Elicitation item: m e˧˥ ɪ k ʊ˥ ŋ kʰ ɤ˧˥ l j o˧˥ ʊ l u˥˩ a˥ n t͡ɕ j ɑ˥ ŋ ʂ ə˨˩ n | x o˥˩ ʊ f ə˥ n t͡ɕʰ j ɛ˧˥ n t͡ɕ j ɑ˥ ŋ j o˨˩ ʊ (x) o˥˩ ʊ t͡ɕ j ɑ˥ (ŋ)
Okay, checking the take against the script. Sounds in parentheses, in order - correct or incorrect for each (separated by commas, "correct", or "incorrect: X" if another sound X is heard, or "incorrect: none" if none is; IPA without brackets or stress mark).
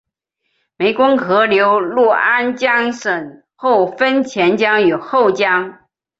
correct, correct